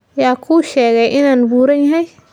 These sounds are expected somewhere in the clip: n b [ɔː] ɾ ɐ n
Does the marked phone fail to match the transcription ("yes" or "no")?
yes